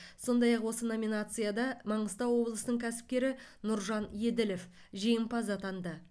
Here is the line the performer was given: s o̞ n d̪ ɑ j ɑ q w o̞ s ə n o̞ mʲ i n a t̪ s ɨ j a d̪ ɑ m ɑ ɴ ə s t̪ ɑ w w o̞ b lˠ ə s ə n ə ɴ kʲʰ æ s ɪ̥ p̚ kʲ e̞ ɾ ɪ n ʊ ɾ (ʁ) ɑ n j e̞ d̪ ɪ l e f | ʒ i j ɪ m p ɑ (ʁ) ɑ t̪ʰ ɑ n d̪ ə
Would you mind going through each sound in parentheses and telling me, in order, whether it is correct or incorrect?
incorrect: ʒ, incorrect: z

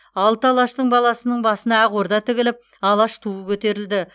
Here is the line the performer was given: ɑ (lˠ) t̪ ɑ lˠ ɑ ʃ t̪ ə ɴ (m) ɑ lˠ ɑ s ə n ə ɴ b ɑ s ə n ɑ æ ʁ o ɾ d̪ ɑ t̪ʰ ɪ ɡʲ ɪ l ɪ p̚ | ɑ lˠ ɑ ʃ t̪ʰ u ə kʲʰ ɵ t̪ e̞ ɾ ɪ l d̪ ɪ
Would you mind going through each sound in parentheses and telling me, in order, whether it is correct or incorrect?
correct, incorrect: b

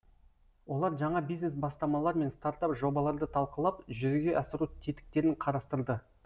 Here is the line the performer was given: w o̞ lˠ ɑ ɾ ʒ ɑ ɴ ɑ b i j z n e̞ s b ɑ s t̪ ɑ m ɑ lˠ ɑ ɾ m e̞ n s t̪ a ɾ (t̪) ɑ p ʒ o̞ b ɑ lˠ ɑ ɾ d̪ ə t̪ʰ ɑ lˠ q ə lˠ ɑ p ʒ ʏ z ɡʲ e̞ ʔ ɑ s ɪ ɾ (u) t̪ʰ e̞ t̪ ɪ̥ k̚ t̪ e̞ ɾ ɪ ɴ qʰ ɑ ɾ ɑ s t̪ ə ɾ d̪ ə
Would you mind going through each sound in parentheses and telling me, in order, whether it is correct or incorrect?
correct, correct

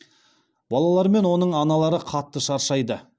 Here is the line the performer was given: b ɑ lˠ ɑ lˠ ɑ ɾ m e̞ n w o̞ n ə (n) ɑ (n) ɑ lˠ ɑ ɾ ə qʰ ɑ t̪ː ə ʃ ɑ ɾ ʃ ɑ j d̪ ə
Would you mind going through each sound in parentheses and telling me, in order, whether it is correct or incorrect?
incorrect: ɴ, correct

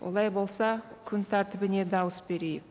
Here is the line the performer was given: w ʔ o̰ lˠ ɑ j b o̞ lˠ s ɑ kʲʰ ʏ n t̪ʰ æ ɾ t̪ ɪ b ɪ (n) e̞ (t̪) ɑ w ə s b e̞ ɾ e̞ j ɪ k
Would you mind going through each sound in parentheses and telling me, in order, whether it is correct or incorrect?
correct, incorrect: d̪

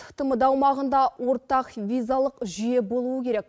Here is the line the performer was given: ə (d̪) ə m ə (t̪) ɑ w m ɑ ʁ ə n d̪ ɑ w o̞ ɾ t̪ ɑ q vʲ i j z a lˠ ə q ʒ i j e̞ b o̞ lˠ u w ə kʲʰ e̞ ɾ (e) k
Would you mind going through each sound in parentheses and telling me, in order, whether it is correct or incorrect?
incorrect: t̪, incorrect: d̪, correct

